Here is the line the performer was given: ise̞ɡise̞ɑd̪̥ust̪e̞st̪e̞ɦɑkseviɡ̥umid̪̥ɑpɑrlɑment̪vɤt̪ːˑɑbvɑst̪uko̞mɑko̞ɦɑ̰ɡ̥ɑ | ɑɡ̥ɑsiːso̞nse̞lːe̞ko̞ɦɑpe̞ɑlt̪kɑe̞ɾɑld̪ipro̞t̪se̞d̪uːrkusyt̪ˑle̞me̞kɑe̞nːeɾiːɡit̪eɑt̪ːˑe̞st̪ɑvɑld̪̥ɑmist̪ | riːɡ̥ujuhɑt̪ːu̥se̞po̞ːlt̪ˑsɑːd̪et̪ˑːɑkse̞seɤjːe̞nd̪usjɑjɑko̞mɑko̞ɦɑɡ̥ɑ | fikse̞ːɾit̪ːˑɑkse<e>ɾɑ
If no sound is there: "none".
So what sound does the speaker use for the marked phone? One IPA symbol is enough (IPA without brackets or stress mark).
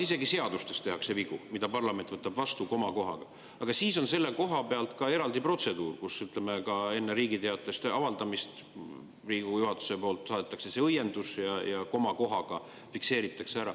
æ